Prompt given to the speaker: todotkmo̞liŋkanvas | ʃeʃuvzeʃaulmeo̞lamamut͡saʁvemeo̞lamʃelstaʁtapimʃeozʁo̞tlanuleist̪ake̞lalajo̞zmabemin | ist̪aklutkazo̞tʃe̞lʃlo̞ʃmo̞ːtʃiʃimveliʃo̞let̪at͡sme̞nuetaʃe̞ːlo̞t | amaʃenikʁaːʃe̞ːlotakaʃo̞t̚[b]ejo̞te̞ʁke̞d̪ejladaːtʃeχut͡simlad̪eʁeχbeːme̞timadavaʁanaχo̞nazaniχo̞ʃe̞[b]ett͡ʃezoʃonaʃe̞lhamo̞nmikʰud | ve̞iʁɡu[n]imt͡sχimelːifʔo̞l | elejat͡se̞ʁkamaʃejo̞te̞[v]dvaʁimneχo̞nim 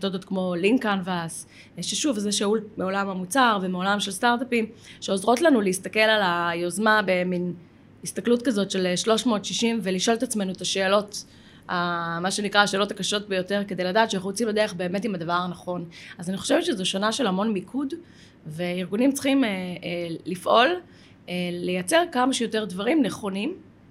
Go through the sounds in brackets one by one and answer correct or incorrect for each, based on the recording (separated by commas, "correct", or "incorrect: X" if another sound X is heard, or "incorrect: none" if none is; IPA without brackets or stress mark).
correct, incorrect: v, correct, incorrect: ʁ